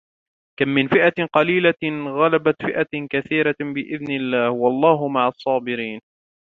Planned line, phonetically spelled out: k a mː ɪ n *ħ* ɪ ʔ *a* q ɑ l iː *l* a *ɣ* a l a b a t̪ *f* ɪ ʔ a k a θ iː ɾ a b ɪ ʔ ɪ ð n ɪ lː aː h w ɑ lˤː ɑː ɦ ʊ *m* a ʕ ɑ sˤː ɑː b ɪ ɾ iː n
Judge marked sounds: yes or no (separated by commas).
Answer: no, yes, yes, yes, yes, yes